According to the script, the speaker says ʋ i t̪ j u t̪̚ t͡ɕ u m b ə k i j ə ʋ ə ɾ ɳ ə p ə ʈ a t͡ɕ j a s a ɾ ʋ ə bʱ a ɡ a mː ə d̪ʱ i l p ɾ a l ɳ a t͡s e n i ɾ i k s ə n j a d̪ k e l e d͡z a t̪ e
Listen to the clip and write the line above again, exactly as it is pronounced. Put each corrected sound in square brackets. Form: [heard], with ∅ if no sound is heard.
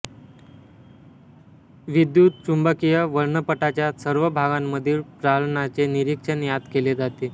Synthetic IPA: ʋ i [d̪] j u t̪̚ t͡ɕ u m b ə k i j ə ʋ ə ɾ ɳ ə p ə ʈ a t͡ɕ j a s [ə] ɾ ʋ ə bʱ a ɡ a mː ə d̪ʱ [iː] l p ɾ a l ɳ a t͡s e n i ɾ i k [ʂ] ə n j a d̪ k e l e d͡z a t̪ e